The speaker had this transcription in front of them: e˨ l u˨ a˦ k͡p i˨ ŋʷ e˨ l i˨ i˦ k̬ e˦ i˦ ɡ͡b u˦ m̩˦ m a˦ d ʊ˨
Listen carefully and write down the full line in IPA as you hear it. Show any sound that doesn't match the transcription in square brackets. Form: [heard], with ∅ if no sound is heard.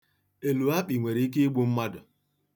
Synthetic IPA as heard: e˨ l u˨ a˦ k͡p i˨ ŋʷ e˨ [ɾ] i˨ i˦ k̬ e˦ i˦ ɡ͡b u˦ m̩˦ m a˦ d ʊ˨